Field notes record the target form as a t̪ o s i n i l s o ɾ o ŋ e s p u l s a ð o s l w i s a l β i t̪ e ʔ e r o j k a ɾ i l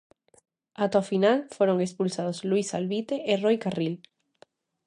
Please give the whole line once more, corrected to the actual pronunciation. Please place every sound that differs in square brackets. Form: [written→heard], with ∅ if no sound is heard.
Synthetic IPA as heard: a t̪ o [s→f] i n [i→a] l [s→f] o ɾ o ŋ e s p u l s a ð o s l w i s a l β i t̪ e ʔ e r o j k a [ɾ→r] i l